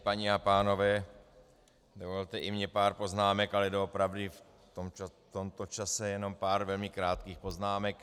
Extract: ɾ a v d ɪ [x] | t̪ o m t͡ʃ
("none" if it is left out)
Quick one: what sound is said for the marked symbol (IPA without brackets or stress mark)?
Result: f